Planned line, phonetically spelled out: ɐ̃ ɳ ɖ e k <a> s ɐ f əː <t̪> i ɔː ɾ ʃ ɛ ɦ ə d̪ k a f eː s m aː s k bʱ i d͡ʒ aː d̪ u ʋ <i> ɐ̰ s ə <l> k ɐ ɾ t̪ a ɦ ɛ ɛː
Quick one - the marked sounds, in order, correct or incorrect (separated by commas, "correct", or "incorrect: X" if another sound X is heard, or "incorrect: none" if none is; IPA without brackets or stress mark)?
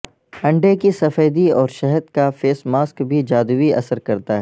incorrect: i, incorrect: d̪, correct, incorrect: ɾ